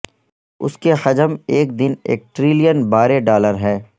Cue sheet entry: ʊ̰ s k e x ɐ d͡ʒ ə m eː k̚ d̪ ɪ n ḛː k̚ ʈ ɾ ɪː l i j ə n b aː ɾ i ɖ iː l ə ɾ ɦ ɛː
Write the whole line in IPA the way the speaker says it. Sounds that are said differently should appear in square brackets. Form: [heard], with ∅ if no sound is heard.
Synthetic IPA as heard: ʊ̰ s k e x ɐ d͡ʒ ə m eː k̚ d̪ ɪ n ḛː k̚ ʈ ɾ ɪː l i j ə n b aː ɾ [e] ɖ [aː] l ə ɾ ɦ ɛː